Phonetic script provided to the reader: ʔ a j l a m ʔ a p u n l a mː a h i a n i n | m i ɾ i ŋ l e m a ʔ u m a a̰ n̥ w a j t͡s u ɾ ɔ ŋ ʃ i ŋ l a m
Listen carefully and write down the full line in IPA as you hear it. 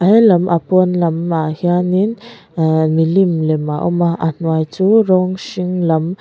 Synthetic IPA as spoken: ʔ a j l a m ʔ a p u n l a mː a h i a n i n | m i l i m l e m a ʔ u m a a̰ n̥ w a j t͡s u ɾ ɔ ŋ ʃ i ŋ l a m